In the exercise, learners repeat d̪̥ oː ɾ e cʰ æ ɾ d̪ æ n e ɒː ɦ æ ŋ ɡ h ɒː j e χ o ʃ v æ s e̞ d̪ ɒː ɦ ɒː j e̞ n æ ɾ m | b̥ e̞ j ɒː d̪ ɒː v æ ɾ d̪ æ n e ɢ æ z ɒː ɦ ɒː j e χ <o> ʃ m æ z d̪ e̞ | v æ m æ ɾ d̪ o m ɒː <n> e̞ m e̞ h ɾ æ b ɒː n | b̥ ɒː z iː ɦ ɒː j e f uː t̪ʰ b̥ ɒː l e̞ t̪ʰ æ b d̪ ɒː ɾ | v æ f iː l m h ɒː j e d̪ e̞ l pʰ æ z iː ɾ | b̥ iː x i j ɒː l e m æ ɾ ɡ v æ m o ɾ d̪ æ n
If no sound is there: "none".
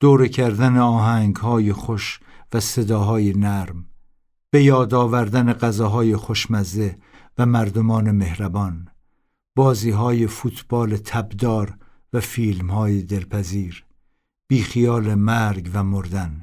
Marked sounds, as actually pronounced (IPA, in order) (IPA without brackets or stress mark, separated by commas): o, n